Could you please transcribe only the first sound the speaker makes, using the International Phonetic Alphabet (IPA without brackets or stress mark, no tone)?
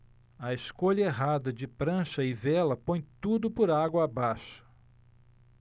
ɐ